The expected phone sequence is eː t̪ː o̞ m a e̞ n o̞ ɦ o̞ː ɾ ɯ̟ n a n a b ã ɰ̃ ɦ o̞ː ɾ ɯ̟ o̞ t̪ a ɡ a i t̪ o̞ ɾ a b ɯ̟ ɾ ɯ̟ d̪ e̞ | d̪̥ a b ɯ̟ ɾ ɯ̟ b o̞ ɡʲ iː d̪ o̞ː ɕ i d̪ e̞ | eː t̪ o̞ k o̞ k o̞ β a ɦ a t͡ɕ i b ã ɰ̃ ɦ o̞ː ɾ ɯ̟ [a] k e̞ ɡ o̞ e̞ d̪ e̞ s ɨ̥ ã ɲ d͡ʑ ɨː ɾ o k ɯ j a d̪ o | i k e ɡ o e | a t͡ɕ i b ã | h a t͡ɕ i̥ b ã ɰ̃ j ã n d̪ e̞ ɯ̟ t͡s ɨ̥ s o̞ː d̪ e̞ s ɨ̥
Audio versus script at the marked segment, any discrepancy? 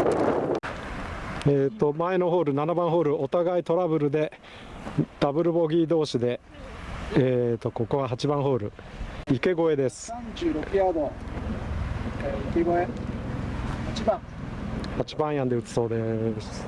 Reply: yes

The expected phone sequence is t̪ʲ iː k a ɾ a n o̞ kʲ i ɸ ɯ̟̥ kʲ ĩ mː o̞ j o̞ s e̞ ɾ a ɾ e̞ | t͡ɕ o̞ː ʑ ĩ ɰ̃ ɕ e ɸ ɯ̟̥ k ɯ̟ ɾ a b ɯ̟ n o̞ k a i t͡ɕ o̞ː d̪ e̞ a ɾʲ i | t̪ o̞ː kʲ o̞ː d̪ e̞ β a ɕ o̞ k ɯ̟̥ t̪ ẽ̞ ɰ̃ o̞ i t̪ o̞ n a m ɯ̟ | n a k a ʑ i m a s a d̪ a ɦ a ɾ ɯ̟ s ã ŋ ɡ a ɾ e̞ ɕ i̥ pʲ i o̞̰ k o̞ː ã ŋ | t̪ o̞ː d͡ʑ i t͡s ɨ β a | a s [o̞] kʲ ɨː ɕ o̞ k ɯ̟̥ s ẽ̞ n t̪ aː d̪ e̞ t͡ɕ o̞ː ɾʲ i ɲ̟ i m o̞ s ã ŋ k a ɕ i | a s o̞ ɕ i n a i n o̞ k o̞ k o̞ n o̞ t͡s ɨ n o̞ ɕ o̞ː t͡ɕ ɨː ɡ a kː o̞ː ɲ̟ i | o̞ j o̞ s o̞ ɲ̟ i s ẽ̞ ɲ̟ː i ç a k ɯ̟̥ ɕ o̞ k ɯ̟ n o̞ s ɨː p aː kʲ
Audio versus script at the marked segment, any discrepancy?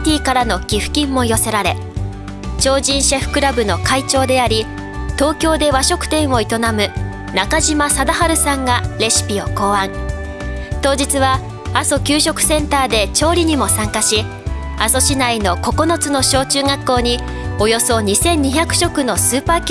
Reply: no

